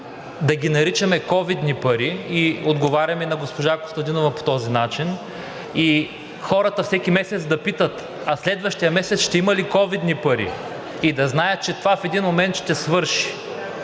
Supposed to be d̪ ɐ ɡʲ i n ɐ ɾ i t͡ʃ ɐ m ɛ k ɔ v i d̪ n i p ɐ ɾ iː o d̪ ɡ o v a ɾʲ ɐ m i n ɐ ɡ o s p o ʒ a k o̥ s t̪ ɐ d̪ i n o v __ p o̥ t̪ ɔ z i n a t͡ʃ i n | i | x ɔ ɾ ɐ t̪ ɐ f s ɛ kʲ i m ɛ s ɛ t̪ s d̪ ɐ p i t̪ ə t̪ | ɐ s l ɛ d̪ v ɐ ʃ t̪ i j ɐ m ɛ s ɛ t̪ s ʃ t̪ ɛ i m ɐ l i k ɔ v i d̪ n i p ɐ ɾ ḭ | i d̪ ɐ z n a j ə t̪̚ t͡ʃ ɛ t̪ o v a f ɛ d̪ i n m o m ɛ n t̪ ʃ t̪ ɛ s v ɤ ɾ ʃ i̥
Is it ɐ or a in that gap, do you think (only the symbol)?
ɐ